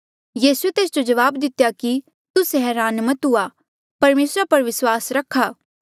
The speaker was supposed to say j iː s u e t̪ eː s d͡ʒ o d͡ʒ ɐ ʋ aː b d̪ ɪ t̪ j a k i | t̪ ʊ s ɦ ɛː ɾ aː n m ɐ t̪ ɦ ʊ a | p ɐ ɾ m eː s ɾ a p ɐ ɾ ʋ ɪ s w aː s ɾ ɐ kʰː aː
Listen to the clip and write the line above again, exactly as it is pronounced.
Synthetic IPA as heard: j iː s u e t̪ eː s d͡ʒ o d͡ʒ ɐ ʋ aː b d̪ ɪ t̪ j a k i | t̪ ʊ s ɦ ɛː ɾ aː n m ɐ t̪ ɦ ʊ a | p ɐ ɾ m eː s ɾ a p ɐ ɾ ʋ ɪ s w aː s ɾ ɐ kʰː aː

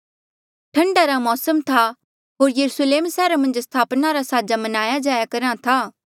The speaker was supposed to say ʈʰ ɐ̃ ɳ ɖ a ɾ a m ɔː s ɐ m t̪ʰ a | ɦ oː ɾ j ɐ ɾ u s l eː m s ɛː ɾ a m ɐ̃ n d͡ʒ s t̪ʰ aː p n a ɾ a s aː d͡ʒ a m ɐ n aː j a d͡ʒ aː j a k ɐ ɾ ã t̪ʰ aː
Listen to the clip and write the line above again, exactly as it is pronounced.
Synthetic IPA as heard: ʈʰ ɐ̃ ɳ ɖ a ɾ a m ɔː s ə m t̪ʰ a | ɦ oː ɾ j ɐ ɾ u s l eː m s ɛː ɾ a m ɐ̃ n d͡ʒ s t̪ʰ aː p n a ɾ a s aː d͡ʒ a m ɐ n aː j a d͡ʒ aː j a k ɐ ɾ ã t̪ʰ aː

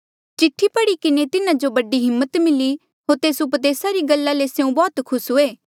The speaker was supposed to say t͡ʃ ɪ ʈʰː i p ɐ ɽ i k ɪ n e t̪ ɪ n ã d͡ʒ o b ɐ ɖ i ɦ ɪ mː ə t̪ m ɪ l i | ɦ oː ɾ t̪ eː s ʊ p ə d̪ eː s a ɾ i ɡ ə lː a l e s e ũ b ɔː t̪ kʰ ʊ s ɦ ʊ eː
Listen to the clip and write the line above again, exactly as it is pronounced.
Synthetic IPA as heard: t͡ʃ ɪ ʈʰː i p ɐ ɽ i k ɪ n e t̪ ɪ n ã d͡ʒ o b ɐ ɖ i ɦ ɪ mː ə t̪ m ɪ l i | ɦ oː ɾ t̪ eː s ʊ p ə d̪ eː s a ɾ i ɡ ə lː a l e s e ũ b ɔː t̪ kʰ ʊ s ɦ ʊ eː

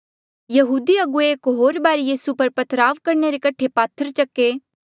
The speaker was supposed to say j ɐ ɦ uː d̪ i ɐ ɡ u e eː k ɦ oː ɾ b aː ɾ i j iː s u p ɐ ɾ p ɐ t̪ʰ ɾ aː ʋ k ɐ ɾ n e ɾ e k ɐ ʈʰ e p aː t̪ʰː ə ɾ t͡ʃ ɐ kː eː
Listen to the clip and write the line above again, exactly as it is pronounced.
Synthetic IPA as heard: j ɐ ɦ uː d̪ i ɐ ɡ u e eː k ɦ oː ɾ b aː ɾ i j iː s u p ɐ ɾ p ɐ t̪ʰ ɾ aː ʋ k ɐ ɾ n e ɾ e k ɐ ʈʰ e p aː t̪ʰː ə ɾ t͡ʃ ɐ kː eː

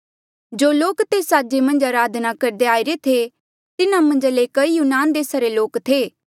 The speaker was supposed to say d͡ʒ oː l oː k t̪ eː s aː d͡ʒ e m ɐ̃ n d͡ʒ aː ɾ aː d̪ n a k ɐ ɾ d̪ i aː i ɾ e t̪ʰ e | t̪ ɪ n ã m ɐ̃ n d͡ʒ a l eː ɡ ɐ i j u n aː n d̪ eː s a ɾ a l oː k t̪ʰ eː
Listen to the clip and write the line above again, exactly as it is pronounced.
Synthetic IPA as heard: d͡ʒ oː l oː k t̪ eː s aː d͡ʒ e m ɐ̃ n d͡ʒ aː ɾ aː d̪ n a k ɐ ɾ d̪ e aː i ɾ e t̪ʰ e | t̪ ɪ n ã m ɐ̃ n d͡ʒ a l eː k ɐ i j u n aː n d̪ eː s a ɾ e l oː k t̪ʰ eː

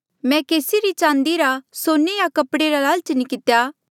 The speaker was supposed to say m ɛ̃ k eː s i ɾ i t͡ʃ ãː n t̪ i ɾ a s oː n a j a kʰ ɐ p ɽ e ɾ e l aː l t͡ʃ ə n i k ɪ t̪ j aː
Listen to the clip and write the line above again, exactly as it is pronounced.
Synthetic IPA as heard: m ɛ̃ k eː s i ɾ i t͡ʃ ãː n d̪ i ɾ a s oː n e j a k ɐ p ɽ e ɾ a l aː l t͡ʃ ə n i k ɪ t̪ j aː

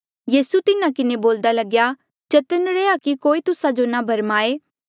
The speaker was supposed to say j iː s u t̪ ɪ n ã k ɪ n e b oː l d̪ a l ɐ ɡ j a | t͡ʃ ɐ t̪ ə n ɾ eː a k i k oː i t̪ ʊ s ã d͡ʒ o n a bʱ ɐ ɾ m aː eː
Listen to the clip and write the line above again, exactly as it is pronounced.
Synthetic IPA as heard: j iː s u t̪ ɪ n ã k ɪ n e b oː l d̪ a l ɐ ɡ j a | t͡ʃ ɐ t̪ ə n ɾ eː a k i k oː i t̪ ʊ s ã d͡ʒ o n a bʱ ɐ ɾ m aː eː

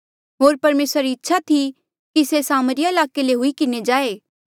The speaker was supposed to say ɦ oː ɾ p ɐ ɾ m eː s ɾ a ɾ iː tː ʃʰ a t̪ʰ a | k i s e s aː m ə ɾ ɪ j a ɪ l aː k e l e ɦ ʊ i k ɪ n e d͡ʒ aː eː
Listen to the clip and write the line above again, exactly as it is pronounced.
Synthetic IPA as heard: ɦ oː ɾ p ɐ ɾ m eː s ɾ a ɾ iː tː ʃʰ a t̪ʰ i | k i s e s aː m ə ɾ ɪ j a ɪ l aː k e l e ɦ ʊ i k ɪ n e d͡ʒ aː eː

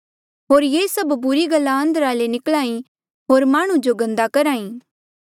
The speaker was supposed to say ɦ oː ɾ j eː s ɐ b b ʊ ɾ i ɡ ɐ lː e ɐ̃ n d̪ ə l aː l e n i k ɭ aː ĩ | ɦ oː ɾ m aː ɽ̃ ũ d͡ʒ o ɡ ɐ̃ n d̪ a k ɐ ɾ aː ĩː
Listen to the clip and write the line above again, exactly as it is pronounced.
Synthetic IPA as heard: ɦ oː ɾ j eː s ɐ b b ʊ ɾ i ɡ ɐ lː a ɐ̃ n d̪ ə ɾ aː l e n ɪ k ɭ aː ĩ | ɦ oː ɾ m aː ɽ̃ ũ d͡ʒ o ɡ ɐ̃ n d̪ a k ɐ ɾ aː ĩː

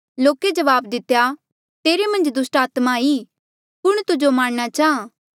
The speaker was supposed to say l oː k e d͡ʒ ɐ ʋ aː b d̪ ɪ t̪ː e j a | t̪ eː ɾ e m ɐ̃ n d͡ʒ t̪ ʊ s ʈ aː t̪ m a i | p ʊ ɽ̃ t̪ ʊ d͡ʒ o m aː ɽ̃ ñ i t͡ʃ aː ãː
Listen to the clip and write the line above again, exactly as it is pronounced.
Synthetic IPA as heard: l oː k e d͡ʒ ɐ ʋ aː b d̪ ɪ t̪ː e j a | t̪ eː ɾ e m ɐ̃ n d͡ʒ d̪ ʊ s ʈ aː t̪ m a i | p ʊ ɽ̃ t̪ ʊ d͡ʒ o m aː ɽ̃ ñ a t͡ʃ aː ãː

